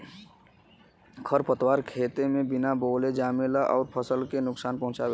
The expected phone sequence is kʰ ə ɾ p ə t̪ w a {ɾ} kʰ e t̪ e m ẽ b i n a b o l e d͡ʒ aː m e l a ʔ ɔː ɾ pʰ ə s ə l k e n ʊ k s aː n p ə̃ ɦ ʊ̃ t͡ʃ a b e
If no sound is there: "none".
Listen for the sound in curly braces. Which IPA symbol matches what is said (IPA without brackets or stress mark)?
ɾ